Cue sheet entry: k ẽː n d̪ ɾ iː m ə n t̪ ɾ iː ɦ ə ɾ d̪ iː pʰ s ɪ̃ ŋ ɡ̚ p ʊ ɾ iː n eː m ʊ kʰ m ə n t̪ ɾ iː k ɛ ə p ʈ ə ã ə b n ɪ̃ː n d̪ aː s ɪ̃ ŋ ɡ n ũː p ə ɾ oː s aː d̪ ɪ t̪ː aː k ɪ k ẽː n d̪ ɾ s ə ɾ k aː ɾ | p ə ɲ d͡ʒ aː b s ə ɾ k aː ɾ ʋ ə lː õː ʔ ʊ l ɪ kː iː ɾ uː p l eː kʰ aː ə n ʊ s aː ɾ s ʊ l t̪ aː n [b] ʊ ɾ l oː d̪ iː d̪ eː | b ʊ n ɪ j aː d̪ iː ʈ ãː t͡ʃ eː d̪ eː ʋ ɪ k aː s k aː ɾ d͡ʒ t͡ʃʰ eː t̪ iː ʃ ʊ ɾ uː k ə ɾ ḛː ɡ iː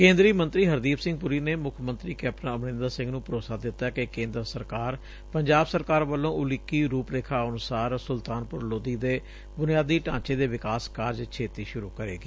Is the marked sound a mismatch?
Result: yes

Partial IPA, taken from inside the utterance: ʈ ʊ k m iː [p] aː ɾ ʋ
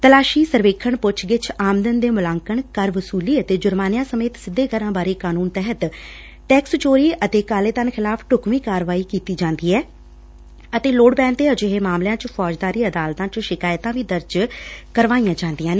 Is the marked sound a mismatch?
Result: yes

